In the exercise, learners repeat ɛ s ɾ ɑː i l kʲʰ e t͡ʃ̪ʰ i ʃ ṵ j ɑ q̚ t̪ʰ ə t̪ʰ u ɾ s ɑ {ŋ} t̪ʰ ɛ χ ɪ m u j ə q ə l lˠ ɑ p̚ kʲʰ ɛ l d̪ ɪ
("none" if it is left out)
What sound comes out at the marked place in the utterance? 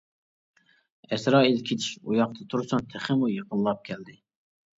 n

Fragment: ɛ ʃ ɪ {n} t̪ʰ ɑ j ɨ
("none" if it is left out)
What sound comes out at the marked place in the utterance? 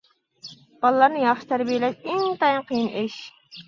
ŋ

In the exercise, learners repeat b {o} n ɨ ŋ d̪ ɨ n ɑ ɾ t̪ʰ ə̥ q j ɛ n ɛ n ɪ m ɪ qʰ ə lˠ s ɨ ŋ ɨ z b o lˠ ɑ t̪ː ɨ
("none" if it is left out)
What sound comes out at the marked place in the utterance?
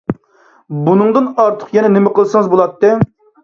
u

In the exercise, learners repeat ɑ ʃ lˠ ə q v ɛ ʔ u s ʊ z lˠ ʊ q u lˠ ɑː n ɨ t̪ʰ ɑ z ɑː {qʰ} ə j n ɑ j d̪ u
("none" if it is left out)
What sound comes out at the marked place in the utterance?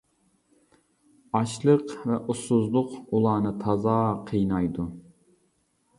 qʰ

